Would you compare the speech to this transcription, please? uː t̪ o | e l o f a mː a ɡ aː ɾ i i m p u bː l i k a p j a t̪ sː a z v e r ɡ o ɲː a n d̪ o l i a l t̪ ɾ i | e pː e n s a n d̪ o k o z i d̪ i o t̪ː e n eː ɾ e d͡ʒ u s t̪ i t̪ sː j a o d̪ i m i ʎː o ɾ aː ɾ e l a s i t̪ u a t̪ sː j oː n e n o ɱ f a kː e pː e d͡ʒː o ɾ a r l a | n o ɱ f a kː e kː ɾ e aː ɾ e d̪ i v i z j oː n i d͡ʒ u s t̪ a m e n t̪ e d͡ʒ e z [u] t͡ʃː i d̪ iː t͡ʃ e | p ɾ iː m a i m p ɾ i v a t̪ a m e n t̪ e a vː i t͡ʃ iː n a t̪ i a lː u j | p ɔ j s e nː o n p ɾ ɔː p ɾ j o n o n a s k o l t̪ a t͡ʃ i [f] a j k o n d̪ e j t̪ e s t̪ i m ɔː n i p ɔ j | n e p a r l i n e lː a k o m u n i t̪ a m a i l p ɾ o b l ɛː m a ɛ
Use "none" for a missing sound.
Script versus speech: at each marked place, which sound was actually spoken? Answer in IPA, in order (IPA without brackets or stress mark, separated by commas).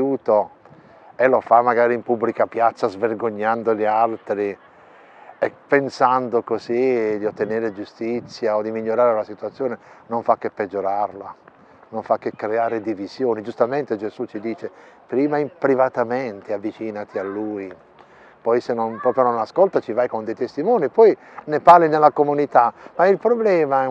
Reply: u, v